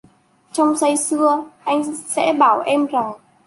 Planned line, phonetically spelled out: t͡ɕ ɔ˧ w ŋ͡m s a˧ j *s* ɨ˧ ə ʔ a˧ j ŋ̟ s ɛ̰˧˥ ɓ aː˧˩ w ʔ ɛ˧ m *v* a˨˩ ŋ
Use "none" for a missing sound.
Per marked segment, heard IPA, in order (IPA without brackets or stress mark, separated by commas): s, z